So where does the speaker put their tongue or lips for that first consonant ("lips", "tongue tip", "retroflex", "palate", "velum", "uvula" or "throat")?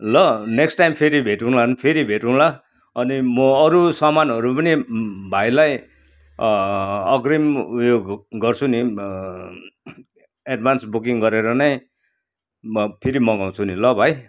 tongue tip